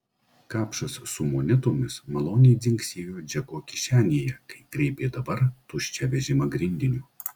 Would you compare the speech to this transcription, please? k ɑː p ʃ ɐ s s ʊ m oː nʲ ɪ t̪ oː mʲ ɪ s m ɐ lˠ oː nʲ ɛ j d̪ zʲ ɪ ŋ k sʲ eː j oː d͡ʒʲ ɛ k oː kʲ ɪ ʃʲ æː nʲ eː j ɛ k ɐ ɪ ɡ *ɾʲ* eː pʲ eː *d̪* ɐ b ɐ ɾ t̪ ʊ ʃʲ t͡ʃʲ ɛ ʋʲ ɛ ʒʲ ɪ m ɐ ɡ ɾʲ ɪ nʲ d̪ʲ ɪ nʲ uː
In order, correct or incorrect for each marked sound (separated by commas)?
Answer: correct, correct